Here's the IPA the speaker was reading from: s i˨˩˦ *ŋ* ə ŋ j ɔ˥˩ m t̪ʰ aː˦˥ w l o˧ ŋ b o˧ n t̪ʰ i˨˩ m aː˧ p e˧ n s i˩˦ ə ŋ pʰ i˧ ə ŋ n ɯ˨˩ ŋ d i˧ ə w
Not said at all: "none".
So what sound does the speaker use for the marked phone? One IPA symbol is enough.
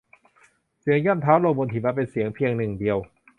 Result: none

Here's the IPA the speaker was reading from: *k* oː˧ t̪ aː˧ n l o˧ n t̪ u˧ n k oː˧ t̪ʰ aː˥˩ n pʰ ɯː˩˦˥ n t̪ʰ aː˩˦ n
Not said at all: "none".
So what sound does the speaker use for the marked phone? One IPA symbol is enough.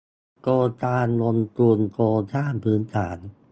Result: k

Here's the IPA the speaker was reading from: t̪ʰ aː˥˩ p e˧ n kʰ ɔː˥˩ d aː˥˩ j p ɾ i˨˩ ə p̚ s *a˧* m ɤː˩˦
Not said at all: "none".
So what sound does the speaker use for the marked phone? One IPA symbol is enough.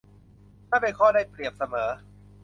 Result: a˧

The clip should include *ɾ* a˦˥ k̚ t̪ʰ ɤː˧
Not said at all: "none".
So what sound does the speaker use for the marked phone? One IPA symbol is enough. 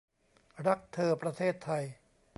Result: ɾ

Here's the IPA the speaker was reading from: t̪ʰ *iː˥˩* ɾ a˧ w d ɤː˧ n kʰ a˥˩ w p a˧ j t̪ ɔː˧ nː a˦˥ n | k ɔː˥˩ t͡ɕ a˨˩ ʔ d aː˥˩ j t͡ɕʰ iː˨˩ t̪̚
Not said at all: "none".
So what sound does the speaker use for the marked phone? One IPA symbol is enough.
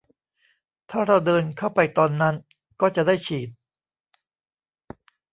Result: aː˥˩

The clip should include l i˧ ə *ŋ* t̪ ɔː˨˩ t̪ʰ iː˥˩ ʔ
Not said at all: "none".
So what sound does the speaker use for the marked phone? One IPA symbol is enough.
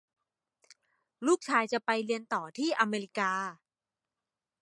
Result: n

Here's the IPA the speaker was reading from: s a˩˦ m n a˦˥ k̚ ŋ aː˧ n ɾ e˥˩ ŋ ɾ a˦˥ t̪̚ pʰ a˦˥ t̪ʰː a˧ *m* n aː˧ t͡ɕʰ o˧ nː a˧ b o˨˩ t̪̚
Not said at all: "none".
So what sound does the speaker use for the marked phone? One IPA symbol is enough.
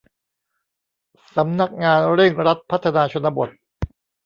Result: none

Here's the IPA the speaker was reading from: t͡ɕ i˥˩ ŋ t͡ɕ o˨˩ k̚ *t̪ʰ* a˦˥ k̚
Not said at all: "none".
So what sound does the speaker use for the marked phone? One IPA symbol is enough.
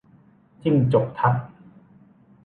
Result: t̪ʰ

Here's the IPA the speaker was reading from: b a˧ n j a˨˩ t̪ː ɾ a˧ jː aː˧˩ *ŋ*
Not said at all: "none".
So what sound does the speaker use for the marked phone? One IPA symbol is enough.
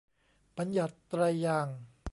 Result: ŋ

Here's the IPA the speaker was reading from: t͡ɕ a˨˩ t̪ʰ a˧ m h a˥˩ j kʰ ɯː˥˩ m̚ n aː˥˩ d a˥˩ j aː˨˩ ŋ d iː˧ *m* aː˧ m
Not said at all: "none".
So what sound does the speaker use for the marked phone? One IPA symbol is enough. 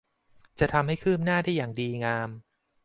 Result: ŋ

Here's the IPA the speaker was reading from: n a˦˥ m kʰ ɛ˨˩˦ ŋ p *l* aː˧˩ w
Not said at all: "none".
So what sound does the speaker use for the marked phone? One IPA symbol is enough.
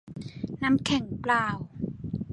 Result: l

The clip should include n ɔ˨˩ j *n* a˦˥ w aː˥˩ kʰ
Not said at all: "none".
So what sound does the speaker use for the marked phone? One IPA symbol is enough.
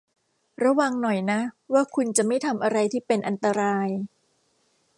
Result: n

